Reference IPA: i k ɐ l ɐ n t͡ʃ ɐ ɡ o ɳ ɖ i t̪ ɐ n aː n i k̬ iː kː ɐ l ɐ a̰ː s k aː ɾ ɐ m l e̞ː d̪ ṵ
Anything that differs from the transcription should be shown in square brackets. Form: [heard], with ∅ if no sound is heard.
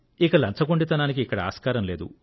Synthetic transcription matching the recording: i k ɐ l ɐ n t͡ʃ ɐ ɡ o ɳ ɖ i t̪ ɐ n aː n i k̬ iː kː ɐ [ɽ] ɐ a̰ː s k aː ɾ ɐ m l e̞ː d̪ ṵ